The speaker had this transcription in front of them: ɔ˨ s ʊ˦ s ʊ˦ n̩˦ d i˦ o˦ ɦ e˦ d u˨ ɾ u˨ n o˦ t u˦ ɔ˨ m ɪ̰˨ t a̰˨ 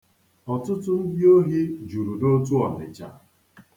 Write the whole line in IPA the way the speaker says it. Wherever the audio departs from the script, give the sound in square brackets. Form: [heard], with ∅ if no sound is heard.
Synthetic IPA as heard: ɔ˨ [t] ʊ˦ [t] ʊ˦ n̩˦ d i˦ o˦ ɦ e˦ [d͡ʒ] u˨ ɾ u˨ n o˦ t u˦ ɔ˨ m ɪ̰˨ [t͡ʃ] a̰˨